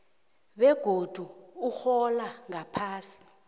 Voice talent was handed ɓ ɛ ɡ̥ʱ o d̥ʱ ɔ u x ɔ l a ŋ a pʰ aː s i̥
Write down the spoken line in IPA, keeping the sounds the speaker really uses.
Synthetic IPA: ɓ ɛ ɡ̥ʱ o d̥ʱ u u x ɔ l a ŋ a pʰ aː s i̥